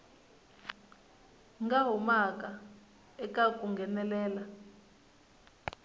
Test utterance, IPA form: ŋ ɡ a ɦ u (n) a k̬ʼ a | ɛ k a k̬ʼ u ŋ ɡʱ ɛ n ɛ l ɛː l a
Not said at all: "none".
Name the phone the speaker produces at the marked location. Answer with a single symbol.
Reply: m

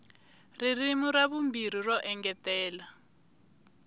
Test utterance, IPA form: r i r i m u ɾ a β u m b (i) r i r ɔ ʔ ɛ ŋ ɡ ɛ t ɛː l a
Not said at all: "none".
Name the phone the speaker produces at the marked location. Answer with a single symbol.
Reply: i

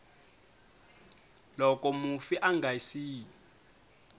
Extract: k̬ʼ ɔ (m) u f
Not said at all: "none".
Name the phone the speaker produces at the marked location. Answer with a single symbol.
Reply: m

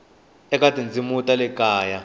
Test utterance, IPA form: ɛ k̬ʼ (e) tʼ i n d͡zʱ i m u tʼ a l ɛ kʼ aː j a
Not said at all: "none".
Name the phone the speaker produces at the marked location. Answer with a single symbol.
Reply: a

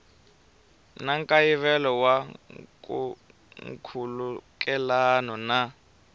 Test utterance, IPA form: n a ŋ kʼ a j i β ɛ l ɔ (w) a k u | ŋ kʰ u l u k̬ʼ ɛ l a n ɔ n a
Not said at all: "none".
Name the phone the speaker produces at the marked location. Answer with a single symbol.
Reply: w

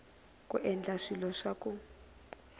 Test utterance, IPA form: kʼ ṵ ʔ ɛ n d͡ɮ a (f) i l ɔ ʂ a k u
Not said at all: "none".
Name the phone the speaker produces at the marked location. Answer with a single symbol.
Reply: ʂ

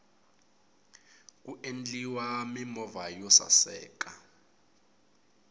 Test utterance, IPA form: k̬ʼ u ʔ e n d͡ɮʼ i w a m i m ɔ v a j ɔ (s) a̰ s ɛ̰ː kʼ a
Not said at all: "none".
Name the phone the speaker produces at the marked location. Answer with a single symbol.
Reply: s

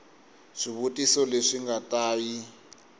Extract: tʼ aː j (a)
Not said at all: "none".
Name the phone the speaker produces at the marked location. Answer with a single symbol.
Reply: i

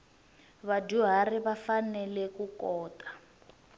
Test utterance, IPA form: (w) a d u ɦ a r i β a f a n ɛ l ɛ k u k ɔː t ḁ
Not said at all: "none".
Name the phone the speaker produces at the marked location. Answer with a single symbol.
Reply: β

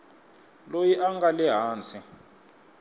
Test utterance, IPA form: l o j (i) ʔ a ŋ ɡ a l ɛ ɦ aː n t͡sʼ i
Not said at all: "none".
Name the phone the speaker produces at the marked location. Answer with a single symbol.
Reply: i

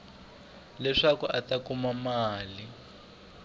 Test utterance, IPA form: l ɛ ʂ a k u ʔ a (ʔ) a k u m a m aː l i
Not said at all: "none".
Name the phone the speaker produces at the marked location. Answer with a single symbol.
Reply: t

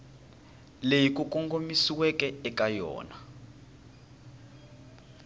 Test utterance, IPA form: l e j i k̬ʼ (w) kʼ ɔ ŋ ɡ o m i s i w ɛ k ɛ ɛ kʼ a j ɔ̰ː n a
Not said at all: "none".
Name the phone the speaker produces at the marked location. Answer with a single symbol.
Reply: u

